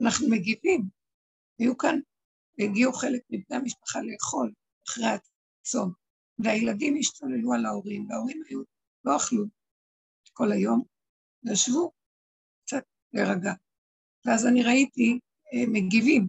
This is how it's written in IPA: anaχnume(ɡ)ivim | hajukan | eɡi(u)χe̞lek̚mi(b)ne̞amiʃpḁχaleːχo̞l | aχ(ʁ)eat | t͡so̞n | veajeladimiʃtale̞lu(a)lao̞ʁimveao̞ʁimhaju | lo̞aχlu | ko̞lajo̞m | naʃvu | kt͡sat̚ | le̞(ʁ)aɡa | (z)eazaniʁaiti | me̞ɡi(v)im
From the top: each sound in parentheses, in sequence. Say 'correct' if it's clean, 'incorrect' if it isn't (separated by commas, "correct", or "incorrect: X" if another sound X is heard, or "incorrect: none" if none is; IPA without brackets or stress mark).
correct, correct, correct, correct, correct, correct, incorrect: v, correct